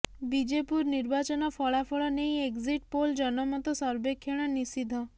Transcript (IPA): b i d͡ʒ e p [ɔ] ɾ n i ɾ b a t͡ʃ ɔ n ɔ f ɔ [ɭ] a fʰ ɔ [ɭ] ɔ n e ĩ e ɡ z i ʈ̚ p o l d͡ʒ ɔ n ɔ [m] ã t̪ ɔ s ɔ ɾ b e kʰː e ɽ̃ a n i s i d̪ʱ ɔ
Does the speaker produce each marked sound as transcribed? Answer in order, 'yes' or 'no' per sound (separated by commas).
no, yes, yes, yes